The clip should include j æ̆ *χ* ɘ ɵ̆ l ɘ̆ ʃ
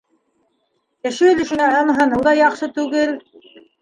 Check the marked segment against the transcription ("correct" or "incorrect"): incorrect